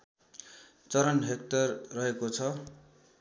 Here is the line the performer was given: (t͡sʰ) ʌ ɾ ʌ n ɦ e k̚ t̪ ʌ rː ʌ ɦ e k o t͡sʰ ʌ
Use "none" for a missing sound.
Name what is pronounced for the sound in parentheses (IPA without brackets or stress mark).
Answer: t͡s